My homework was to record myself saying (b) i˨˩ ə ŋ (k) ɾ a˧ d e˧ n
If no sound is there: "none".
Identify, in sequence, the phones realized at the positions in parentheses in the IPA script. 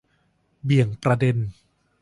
b, p

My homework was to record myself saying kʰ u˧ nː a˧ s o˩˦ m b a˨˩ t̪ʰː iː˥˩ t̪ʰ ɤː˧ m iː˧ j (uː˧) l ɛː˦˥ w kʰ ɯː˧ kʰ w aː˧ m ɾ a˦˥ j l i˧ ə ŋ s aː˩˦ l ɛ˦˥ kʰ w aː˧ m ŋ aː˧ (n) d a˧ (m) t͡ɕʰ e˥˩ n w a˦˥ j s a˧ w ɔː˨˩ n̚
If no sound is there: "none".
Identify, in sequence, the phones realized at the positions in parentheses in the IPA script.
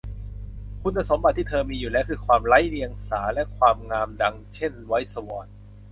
uː˨˩, m, ŋ

